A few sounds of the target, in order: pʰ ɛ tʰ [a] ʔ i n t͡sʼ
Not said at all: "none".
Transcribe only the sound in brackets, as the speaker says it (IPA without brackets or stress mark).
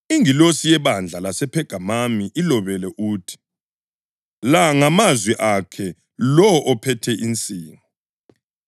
ɛ